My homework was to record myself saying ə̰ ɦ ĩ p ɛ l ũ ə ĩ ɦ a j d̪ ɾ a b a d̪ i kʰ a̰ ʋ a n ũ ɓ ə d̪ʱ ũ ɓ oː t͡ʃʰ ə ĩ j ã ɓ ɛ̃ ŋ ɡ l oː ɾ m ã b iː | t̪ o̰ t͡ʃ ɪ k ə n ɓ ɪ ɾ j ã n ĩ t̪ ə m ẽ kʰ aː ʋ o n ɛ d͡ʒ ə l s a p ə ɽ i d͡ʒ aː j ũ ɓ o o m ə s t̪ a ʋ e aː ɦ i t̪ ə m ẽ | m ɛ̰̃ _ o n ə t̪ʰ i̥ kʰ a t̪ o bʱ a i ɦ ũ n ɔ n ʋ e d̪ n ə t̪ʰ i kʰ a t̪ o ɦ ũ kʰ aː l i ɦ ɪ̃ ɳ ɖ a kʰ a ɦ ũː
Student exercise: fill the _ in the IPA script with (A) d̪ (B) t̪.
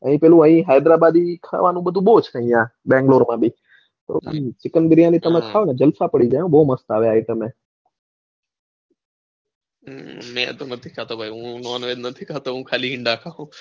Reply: B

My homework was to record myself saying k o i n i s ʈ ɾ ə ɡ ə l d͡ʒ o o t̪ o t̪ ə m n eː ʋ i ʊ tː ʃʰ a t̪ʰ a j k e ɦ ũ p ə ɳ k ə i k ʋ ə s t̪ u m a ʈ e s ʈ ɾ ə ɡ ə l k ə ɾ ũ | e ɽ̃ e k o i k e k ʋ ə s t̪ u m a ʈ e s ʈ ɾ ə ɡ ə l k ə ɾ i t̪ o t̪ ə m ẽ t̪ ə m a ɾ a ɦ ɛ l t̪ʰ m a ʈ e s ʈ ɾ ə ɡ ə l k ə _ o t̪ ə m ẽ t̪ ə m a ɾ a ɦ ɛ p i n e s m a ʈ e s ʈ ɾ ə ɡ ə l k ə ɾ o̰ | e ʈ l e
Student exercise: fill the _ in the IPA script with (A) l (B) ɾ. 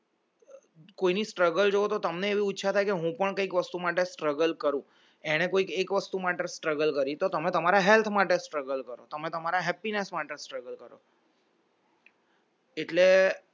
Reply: B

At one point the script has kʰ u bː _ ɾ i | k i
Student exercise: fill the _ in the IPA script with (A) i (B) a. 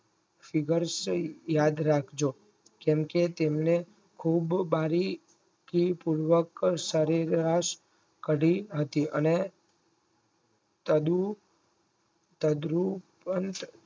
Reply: B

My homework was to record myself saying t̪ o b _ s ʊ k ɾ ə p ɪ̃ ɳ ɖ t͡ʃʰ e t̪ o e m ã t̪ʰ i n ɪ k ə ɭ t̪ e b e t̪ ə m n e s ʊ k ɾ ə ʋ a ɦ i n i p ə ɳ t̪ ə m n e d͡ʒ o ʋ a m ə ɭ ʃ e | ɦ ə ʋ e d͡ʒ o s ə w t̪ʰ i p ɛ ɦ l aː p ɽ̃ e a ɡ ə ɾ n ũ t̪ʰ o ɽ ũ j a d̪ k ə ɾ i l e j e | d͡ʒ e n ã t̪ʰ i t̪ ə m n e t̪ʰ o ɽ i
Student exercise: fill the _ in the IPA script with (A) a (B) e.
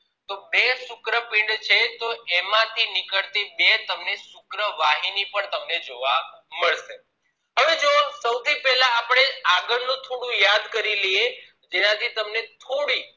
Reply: B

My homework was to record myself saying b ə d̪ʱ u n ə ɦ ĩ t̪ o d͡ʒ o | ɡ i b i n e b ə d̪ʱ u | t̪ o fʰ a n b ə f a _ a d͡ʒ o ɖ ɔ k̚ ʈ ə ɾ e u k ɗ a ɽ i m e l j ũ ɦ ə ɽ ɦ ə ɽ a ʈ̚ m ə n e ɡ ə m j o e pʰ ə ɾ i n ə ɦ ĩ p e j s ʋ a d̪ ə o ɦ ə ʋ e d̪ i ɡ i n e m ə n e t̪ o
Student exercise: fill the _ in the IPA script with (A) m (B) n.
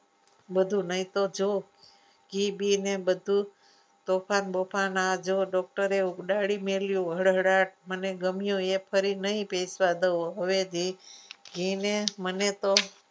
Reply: B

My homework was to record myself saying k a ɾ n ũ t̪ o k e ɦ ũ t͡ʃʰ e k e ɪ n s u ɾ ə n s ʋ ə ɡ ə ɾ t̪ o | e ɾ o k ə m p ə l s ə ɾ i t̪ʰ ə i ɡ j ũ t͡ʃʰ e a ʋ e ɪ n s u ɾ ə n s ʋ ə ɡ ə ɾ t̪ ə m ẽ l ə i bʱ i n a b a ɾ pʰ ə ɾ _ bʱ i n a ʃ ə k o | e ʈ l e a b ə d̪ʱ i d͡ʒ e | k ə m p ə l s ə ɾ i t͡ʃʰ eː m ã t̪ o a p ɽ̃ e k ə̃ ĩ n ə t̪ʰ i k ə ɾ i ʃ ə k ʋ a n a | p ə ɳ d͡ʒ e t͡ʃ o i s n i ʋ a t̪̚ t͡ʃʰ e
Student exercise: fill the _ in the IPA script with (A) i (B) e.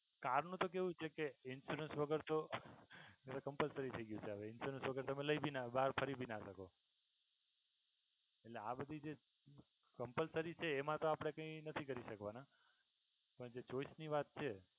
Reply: A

